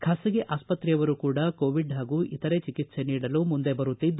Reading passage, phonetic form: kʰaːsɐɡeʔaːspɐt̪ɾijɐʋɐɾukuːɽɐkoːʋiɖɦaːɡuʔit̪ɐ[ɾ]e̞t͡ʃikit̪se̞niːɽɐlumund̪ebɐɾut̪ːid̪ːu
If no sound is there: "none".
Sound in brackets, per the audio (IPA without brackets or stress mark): ɾ